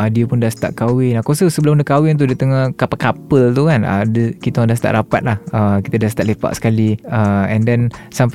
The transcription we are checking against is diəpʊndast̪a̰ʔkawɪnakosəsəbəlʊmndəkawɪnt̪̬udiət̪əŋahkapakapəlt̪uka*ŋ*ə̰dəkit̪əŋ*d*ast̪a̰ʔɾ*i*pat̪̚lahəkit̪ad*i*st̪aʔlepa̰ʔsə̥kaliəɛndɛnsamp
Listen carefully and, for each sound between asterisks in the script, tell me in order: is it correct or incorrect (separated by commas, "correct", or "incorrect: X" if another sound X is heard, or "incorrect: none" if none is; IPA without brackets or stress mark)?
incorrect: n, correct, incorrect: a, incorrect: a